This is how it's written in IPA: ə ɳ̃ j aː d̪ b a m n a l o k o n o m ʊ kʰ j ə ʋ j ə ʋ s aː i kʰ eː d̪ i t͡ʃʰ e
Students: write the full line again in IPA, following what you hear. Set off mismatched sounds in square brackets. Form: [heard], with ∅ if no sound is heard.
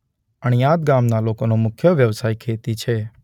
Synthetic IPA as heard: ə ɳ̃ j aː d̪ [ɡ] a m n a l o k o n o m ʊ kʰ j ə ʋ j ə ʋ s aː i kʰ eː [t̪] i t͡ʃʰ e